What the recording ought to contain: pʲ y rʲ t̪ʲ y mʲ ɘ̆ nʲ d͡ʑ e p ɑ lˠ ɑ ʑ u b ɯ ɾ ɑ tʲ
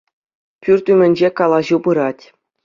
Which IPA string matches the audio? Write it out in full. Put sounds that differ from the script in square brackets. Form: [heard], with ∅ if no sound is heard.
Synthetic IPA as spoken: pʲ y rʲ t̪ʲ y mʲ ɘ̆ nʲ d͡ʑ e [k] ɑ lˠ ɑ ʑ u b ɯ ɾ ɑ tʲ